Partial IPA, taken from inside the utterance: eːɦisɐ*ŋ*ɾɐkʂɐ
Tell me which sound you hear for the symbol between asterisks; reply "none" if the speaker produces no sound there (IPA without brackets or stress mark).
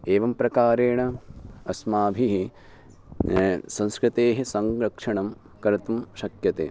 ŋ